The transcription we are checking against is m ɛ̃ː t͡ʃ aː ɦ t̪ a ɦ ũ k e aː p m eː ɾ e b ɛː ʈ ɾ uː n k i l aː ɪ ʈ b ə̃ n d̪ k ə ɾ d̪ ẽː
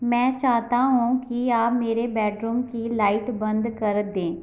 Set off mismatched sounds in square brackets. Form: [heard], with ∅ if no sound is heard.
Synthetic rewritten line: m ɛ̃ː t͡ʃ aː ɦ t̪ a ɦ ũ k [i] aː p m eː ɾ e b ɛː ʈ ɾ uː [m] k i l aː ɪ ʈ b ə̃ n d̪ k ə ɾ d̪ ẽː